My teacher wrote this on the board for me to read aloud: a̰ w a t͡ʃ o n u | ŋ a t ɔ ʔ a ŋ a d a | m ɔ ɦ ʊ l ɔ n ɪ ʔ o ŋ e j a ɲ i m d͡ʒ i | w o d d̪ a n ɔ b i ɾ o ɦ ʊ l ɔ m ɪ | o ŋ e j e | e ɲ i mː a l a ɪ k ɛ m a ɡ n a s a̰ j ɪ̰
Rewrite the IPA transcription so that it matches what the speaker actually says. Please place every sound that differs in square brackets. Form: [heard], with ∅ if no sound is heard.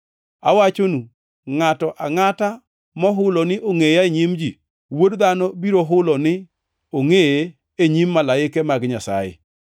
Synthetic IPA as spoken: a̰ w a t͡ʃ o n u | ŋ a t ɔ ʔ a ŋ a [t] a | m ɔ ɦ ʊ l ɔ n ɪ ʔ o ŋ e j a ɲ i m d͡ʒ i | w o d d̪ a n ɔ b i ɾ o ɦ ʊ l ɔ [n] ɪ | o ŋ e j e | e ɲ i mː a l a ɪ k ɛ m a ɡ [ɲ] a s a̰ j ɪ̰